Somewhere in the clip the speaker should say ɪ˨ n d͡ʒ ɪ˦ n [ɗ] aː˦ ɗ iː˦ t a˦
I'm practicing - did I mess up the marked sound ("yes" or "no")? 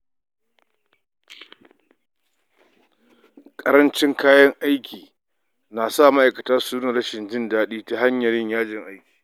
yes